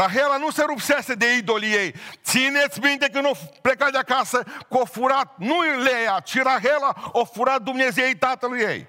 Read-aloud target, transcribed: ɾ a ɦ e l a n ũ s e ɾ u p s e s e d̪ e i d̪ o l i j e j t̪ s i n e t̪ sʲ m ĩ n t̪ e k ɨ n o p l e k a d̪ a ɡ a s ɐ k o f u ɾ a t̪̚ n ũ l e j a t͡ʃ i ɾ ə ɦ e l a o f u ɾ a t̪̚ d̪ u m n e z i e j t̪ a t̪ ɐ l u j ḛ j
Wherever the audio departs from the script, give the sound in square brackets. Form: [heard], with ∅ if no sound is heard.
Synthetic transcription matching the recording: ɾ a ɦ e l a n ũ s e ɾ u p s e s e d̪ e i d̪ o l i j e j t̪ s i n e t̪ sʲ m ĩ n t̪ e k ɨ n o p l e k a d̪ a [k] a s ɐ k o f u ɾ a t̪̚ n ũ l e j a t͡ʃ i ɾ [a] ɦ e l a o f u ɾ a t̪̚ d̪ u m n e z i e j t̪ a t̪ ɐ l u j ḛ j